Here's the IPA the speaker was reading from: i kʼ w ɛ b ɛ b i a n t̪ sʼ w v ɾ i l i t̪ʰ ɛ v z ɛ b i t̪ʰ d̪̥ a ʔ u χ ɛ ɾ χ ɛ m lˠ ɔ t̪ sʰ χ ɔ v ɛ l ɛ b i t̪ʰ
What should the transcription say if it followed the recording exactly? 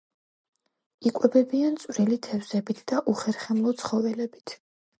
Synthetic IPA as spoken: i kʼ w ɛ b ɛ b i a n t̪ sʼ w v ɾ i l i t̪ʰ ɛ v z ɛ b i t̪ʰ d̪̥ a ʔ u χ ɛ ɾ χ ɛ m lˠ ɔ t̪ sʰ χ ɔ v ɛ l ɛ b i t̪ʰ